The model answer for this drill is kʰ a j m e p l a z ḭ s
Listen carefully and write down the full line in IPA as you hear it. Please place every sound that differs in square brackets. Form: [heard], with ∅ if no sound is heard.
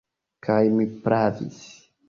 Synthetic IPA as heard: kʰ a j m [i] p [ɾ] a [v] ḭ s